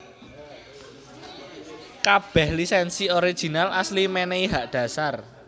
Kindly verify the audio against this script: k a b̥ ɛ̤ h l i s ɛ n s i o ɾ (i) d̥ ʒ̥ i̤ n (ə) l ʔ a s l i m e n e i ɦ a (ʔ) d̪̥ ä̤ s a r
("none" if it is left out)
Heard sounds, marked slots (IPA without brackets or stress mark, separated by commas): i, a, ʔ